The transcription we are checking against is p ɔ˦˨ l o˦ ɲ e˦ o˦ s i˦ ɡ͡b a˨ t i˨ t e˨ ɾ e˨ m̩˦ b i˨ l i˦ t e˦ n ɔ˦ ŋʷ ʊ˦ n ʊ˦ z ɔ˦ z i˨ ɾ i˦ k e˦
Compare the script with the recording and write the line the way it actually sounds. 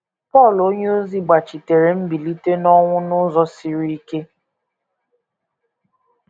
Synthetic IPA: p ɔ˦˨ l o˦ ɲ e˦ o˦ z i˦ ɡ͡b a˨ t͡ʃ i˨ t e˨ ɾ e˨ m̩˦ b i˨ l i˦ t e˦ n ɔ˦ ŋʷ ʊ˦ n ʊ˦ z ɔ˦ s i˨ ɾ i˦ k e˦